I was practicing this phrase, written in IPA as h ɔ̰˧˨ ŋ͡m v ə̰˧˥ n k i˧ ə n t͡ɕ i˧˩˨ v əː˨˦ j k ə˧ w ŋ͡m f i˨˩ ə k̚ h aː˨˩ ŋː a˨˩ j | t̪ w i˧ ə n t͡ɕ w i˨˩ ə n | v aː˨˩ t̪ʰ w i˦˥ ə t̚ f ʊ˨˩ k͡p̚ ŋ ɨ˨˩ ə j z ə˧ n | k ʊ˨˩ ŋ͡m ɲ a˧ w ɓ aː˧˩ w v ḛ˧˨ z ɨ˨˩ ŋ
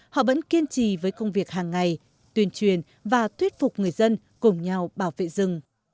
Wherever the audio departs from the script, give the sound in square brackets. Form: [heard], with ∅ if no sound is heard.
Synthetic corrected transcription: h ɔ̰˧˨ [∅] v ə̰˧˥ n k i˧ ə n t͡ɕ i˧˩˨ v əː˨˦ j k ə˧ w ŋ͡m [v] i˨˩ ə k̚ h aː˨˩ ŋː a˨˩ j | t̪ w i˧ ə n t͡ɕ w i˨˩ ə n | v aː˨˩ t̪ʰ w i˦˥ ə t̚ f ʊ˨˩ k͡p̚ ŋ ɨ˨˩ ə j z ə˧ n | k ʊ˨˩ ŋ͡m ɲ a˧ w ɓ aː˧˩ w v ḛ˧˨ z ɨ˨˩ ŋ